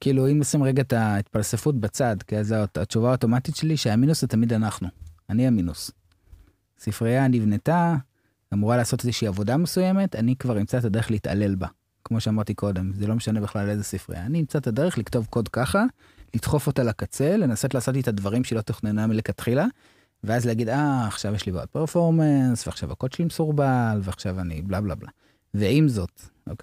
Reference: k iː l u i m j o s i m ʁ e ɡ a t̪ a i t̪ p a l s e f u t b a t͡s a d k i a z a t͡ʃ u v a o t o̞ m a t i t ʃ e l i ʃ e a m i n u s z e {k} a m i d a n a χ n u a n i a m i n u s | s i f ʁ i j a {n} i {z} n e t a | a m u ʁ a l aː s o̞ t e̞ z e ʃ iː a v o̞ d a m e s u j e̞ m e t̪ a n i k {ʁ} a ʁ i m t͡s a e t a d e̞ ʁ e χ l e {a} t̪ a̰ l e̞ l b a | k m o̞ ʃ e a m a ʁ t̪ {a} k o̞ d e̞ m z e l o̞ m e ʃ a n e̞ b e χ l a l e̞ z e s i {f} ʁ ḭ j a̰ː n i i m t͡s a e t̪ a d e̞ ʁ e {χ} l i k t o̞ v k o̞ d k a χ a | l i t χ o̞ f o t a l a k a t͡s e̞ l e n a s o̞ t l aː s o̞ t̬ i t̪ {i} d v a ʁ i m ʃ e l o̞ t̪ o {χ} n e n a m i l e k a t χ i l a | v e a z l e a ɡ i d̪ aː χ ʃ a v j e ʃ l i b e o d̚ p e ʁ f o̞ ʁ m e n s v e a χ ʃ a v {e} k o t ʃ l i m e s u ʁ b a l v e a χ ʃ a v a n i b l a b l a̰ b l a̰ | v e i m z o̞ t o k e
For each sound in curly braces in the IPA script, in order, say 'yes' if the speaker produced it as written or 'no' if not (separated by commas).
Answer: no, yes, no, no, no, no, yes, yes, no, yes, no